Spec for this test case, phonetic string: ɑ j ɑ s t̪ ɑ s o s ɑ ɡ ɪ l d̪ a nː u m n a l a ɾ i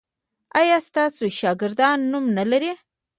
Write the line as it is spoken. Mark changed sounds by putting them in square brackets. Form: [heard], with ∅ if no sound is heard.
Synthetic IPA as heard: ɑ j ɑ s t̪ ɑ s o [ʃ] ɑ ɡ ɪ [ɾ] d̪ [ɑ] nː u m n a l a ɾ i